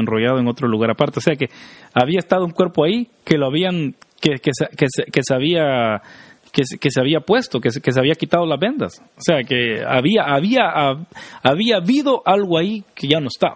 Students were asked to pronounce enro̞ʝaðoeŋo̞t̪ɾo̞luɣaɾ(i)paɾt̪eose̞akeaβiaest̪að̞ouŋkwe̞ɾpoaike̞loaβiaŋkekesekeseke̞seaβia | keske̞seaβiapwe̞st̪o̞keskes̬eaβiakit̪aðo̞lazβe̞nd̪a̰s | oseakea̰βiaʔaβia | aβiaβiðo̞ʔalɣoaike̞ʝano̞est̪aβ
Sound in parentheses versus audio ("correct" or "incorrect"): incorrect